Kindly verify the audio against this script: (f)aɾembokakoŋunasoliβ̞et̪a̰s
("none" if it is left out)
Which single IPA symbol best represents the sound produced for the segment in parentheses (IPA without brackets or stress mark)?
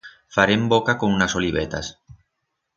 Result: f